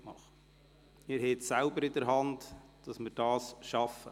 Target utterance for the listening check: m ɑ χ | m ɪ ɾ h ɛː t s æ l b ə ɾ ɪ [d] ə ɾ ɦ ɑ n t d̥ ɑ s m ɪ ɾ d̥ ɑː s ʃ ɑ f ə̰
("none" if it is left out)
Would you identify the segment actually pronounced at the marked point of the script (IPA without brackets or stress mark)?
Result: d